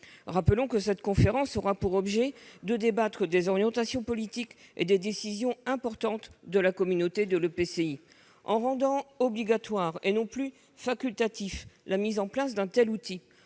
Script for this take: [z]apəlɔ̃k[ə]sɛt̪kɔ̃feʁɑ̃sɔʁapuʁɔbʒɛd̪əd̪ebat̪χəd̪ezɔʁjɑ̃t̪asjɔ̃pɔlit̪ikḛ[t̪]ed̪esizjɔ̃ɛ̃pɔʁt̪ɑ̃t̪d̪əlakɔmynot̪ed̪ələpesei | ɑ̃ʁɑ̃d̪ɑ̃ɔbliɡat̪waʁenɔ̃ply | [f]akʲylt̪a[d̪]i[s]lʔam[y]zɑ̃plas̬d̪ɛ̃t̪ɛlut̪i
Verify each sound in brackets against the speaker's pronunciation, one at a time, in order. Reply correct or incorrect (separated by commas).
incorrect, correct, incorrect, correct, incorrect, incorrect, incorrect